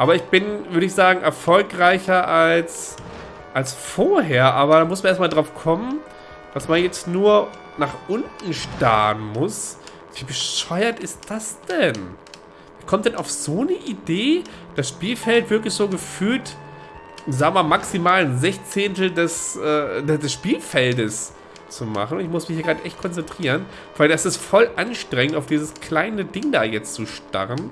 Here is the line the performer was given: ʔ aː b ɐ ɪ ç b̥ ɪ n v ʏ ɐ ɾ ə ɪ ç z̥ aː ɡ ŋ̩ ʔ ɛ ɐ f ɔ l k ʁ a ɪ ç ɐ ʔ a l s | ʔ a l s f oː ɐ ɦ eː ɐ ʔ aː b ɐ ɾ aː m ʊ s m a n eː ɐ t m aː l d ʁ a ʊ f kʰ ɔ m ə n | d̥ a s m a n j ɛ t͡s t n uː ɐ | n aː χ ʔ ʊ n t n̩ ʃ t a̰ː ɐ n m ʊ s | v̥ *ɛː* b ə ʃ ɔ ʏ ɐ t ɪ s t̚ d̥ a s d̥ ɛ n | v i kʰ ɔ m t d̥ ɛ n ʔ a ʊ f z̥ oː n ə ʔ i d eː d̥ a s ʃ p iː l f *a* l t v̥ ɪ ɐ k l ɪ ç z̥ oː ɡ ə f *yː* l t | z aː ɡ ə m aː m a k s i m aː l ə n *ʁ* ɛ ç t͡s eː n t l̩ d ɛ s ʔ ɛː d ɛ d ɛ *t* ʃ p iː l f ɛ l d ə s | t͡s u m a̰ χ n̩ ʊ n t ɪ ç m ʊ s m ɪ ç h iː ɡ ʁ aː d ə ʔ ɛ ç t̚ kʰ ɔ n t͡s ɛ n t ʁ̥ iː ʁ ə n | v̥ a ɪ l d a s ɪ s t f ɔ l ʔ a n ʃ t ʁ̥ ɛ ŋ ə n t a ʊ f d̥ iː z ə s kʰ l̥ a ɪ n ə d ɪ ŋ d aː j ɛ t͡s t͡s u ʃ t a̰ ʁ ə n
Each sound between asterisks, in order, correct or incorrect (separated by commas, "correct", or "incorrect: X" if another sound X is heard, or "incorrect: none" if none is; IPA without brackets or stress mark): incorrect: iː, incorrect: ɛ, correct, incorrect: z, incorrect: s